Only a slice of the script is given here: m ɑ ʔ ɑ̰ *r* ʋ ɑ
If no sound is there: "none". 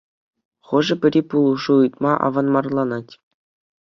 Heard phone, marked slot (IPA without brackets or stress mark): none